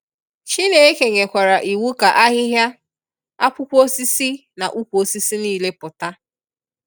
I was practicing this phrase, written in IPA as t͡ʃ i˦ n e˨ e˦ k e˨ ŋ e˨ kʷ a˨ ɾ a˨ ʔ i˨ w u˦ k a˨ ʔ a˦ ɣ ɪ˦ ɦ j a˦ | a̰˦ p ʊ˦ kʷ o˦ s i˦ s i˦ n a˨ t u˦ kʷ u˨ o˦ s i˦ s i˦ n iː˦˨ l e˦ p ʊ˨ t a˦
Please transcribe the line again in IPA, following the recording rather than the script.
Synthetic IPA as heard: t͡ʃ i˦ n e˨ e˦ k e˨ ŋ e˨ kʷ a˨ ɾ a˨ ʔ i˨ w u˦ k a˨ ʔ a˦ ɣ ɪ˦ ɦ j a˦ | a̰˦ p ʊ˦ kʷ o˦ s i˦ s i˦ n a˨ ʔ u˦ kʷ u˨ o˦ s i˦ s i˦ n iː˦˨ l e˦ p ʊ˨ t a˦